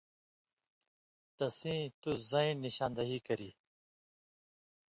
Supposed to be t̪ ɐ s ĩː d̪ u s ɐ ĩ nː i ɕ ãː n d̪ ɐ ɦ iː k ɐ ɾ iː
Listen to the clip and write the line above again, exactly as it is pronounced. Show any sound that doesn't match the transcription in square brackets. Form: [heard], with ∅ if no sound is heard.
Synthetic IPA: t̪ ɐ s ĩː [t̪] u [z] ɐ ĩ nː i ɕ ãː n d̪ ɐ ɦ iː k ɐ ɾ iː